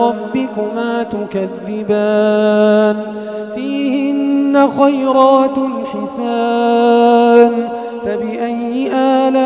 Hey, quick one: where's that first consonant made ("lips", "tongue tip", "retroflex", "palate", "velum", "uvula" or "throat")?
lips